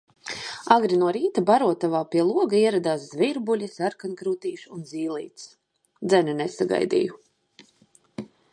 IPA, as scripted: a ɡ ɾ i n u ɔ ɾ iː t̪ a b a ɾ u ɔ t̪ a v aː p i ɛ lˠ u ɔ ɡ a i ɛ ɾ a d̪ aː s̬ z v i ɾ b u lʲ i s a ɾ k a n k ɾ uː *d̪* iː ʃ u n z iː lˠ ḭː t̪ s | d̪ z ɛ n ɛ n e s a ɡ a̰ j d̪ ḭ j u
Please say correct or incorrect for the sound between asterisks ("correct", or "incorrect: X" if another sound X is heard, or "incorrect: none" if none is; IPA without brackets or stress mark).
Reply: incorrect: t̪